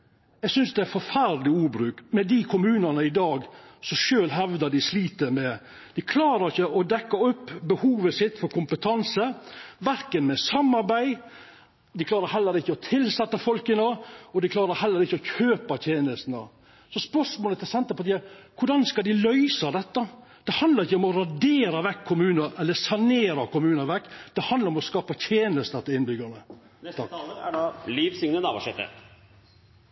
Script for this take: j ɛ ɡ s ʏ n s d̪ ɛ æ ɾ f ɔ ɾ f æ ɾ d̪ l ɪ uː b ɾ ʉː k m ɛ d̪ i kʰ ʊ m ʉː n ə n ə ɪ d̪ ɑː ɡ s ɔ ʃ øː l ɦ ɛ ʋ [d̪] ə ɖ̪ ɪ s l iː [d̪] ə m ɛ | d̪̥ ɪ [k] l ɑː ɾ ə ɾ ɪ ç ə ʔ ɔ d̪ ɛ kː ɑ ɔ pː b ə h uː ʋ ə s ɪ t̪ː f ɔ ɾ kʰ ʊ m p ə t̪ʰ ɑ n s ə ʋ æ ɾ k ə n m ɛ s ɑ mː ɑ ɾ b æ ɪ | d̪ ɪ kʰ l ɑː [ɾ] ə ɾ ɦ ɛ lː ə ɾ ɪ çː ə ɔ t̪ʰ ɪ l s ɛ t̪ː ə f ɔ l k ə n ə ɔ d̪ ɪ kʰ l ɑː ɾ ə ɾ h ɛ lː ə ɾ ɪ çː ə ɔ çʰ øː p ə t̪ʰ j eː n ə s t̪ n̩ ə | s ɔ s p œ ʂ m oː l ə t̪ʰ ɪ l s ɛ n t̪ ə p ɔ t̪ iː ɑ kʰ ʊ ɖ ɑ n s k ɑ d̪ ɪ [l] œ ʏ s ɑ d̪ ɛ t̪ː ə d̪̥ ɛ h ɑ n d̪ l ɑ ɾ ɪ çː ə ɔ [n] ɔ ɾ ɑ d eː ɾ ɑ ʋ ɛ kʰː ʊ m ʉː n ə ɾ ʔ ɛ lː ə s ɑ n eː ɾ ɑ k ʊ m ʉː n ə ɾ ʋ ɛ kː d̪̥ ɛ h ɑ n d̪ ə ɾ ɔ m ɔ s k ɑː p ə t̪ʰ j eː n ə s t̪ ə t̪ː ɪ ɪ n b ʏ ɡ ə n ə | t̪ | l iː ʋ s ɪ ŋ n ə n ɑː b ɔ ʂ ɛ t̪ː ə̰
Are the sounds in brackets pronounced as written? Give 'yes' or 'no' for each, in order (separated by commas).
yes, no, no, yes, yes, no